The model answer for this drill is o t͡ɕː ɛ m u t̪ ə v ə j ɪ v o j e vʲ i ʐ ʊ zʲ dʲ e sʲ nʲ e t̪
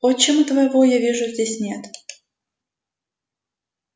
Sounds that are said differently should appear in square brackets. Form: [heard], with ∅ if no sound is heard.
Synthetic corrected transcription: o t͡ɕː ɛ m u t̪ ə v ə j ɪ v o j [a] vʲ i ʐ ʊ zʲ dʲ e sʲ nʲ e t̪